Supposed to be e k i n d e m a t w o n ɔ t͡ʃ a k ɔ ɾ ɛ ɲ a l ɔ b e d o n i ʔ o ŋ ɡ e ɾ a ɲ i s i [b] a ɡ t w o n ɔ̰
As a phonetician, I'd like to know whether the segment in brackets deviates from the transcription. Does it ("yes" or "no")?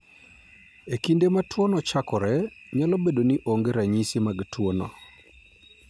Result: yes